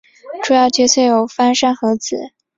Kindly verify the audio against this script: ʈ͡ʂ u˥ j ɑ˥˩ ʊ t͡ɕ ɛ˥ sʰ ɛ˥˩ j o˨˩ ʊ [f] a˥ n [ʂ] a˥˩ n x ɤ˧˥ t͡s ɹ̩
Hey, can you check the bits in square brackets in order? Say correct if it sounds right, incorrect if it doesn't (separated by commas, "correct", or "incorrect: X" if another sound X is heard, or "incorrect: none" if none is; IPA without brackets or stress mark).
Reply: correct, correct